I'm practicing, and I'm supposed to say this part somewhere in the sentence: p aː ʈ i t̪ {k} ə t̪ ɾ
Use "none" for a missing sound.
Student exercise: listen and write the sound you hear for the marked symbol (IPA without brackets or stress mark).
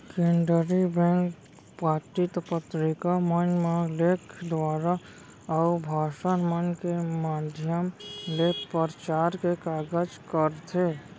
p